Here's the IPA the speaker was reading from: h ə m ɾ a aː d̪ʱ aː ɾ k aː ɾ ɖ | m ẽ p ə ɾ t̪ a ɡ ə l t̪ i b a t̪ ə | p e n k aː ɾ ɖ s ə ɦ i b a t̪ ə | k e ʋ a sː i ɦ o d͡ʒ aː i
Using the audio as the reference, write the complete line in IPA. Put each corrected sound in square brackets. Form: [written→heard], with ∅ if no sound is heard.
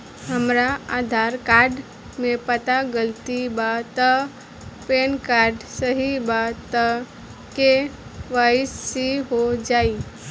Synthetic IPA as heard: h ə m ɾ a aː d̪ʱ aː ɾ k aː ɾ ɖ | m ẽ p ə [ɾ→∅] t̪ a ɡ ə l t̪ i b a t̪ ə | p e n k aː ɾ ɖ s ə ɦ i b a t̪ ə | k e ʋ a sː i ɦ o d͡ʒ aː i